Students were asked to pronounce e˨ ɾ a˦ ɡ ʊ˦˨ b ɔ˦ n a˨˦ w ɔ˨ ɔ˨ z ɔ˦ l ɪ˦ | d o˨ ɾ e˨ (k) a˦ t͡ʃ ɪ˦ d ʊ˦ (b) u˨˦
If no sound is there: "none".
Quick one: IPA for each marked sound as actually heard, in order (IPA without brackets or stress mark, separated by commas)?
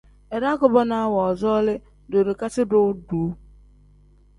k, d